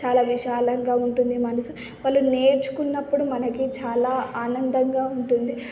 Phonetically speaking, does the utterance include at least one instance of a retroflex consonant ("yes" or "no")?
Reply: yes